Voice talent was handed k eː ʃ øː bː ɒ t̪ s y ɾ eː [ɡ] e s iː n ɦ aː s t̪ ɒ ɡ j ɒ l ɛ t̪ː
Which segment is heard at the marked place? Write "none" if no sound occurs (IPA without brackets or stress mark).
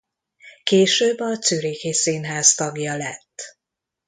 k